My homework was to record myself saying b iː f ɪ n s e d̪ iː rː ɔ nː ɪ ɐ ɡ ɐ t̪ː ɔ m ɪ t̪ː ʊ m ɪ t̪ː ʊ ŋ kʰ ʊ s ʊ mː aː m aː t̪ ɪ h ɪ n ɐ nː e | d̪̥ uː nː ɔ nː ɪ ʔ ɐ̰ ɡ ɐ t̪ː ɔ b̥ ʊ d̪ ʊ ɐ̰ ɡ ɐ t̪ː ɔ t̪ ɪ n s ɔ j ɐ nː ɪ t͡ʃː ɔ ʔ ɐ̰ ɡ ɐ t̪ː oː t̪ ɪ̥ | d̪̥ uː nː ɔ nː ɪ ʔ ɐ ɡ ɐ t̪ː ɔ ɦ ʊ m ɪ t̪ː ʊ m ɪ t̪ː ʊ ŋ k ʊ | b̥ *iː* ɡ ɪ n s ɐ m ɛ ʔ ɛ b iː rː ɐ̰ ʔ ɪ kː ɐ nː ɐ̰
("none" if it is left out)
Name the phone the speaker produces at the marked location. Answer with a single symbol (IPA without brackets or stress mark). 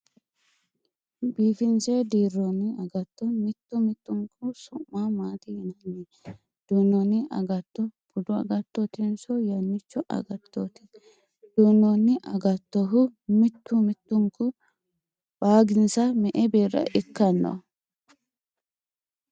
aː